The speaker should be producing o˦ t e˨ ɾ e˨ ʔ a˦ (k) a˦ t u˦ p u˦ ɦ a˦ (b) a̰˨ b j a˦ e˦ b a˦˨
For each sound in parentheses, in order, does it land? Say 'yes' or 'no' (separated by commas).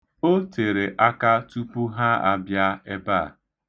yes, no